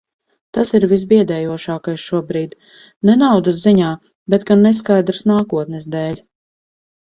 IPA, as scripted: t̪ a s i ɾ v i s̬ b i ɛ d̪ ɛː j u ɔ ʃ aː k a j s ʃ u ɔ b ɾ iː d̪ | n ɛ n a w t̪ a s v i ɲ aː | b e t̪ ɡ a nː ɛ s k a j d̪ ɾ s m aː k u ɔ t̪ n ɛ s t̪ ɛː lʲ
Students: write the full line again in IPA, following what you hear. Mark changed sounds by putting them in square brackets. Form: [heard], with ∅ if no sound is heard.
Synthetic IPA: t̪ a s i ɾ v i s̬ b i ɛ d̪ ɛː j u ɔ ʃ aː k a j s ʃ u ɔ b ɾ iː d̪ | n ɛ n a w [d̪] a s [z] i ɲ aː | b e t̪ ɡ a nː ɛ s k a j d̪ ɾ s [n] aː k u ɔ t̪ n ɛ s [d̪] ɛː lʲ

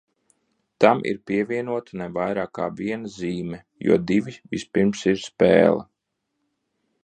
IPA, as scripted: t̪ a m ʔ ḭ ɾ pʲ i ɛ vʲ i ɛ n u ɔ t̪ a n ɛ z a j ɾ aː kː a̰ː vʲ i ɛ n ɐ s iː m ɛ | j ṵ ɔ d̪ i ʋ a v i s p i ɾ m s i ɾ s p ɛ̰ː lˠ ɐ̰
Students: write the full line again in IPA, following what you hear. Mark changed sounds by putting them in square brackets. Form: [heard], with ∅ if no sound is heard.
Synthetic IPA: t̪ a m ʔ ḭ ɾ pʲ i ɛ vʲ i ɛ n u ɔ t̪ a n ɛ [v] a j ɾ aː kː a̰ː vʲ i ɛ n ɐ [z] iː m ɛ | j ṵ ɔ d̪ i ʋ [i] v i s p i ɾ m s i ɾ s p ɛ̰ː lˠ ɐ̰

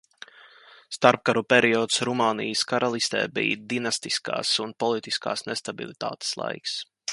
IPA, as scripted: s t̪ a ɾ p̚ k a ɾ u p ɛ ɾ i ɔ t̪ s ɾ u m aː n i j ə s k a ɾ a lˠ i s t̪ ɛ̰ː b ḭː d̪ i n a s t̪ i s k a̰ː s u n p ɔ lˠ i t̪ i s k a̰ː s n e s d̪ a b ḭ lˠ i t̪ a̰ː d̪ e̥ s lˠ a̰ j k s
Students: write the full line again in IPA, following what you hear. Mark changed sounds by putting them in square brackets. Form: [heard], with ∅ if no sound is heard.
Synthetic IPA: s t̪ a ɾ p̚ k a ɾ u p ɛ ɾ i ɔ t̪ s ɾ u m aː n i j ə s k a ɾ a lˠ i s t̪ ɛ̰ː b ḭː d̪ i n a s t̪ i s k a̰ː s u n p ɔ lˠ i t̪ i s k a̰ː s n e s [t̪] a b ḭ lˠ i t̪ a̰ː [t̪] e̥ s lˠ a̰ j k s

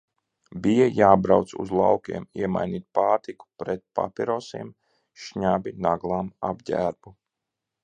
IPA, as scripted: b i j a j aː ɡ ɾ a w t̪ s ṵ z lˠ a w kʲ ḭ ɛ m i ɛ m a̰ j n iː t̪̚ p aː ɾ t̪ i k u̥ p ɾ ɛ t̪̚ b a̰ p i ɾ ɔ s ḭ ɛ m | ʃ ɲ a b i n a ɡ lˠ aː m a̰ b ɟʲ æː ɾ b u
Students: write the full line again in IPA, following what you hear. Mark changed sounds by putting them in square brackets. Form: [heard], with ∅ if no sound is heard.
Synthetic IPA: b i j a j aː [b] ɾ a w t̪ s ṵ z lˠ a w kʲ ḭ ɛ m i ɛ m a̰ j n iː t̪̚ p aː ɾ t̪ i k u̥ p ɾ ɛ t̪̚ [p] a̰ p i ɾ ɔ s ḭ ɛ m | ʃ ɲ a b i n a ɡ lˠ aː m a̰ b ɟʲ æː ɾ b u

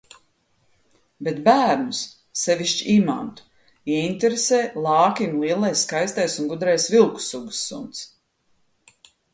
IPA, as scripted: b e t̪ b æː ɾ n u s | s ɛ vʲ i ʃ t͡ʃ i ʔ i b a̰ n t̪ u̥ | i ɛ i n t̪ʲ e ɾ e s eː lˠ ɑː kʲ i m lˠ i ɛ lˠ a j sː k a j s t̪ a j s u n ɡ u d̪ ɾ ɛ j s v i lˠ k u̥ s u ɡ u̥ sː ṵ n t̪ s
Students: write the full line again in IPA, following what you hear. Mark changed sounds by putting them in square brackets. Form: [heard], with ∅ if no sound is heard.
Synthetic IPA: b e t̪ b æː ɾ n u s | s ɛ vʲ i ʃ t͡ʃ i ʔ i [m] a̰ n t̪ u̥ | i ɛ i n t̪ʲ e ɾ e s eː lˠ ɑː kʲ i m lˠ i ɛ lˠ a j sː k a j s t̪ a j s u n ɡ u d̪ ɾ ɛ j s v i lˠ k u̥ s u ɡ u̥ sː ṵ n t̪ s

